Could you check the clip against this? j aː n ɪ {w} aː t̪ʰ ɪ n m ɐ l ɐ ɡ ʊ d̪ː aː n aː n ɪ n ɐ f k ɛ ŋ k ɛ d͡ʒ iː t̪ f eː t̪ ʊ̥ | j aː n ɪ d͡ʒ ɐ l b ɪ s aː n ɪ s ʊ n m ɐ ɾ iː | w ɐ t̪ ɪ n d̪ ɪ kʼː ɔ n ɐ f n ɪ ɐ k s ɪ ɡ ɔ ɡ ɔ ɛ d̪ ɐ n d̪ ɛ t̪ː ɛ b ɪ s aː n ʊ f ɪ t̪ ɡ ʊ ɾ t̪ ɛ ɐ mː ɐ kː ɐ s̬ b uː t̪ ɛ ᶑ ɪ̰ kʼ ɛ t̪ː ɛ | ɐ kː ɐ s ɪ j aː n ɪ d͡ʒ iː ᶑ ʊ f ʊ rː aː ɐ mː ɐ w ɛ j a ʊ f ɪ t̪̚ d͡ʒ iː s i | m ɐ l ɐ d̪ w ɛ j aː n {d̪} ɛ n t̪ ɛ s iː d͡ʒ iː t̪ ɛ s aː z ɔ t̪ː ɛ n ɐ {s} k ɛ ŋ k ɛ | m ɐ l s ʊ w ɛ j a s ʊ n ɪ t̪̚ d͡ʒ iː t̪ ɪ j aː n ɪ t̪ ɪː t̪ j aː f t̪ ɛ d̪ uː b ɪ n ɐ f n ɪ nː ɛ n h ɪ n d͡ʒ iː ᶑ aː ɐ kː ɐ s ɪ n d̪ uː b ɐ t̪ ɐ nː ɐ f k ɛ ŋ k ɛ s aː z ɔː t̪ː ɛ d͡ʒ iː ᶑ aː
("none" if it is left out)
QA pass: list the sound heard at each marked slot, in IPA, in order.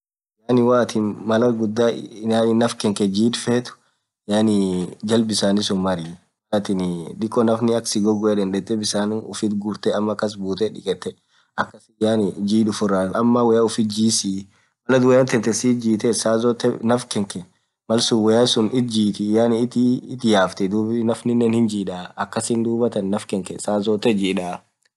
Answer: w, t̪, f

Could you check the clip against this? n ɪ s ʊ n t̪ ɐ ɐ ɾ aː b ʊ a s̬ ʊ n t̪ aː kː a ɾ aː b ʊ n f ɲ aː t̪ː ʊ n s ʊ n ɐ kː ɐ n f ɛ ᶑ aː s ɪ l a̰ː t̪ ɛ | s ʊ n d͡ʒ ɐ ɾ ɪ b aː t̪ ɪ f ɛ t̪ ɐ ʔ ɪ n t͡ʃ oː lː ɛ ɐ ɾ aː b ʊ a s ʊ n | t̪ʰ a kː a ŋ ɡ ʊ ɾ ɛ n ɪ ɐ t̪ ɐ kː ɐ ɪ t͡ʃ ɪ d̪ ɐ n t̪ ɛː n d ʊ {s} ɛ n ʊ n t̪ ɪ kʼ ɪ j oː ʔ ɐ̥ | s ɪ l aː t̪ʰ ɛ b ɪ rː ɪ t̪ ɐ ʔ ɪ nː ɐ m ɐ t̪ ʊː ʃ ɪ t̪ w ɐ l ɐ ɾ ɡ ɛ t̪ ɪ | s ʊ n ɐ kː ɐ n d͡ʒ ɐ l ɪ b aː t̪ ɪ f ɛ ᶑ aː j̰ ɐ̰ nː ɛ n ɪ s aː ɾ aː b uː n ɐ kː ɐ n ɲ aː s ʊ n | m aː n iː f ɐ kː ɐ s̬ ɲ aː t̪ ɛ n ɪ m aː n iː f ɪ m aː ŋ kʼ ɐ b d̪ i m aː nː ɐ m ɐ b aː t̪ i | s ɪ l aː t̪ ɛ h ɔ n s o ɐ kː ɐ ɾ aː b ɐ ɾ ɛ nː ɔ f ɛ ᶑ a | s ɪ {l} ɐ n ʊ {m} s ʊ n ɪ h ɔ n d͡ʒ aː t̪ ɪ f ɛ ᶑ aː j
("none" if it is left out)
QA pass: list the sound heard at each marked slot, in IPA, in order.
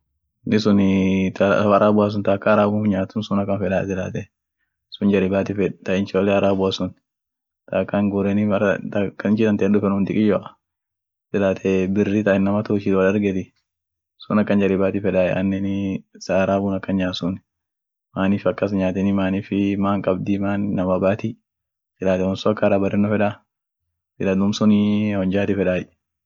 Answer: f, l, m

